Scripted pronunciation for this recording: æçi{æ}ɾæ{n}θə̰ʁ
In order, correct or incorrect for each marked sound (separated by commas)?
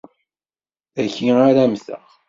incorrect, incorrect